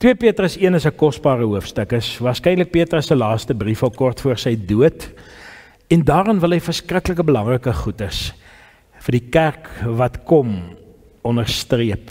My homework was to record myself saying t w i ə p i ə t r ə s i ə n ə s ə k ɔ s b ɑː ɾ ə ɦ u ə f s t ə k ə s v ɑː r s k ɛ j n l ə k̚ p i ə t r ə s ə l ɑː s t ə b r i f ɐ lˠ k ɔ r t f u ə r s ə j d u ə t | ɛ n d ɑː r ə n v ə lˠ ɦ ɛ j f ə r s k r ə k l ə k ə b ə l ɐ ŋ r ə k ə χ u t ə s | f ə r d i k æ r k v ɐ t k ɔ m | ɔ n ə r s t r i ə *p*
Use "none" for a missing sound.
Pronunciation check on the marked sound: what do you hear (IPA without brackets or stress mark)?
p